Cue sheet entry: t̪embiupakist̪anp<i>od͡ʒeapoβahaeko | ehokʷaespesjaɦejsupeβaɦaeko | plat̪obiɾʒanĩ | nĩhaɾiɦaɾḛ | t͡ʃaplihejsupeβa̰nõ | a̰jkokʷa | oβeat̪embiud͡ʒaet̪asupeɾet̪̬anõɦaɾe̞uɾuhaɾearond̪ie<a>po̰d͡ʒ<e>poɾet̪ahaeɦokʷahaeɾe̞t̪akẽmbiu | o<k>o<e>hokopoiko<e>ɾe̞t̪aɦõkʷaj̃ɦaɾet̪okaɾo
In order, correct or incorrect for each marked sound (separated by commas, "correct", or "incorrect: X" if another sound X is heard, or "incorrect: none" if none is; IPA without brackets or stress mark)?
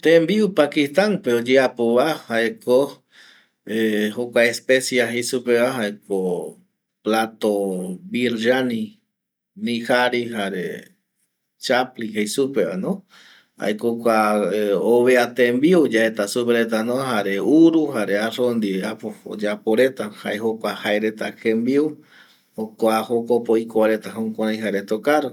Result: incorrect: e, correct, incorrect: a, correct, incorrect: a, incorrect: a